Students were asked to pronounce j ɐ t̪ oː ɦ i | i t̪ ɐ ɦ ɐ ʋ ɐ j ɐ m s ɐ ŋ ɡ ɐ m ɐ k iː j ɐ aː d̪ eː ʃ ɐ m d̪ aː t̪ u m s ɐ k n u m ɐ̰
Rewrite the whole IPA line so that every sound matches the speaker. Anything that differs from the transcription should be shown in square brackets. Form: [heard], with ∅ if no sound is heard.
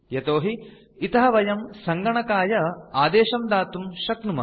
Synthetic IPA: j ɐ t̪ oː ɦ i | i t̪ ɐ ɦ ɐ ʋ ɐ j ɐ m s ɐ ŋ ɡ ɐ [ɳ] ɐ k [aː] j ɐ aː d̪ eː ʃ ɐ m d̪ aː t̪ u m [ʃ] ɐ k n u m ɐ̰